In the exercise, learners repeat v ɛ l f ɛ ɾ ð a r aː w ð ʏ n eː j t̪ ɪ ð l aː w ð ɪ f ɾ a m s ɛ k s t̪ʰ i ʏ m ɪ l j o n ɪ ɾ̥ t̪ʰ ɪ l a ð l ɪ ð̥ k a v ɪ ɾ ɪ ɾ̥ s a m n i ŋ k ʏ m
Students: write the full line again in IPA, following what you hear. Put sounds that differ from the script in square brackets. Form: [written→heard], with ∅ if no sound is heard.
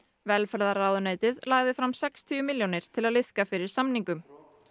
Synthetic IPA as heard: v ɛ l f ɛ ɾ ð a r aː w ð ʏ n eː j t̪ ɪ ð l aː [w→ɣ] ð ɪ f ɾ a m s ɛ k s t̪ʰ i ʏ m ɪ l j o n ɪ ɾ̥ t̪ʰ ɪ l a ð l ɪ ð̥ k a [v→f] ɪ ɾ ɪ ɾ̥ s a m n i ŋ k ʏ m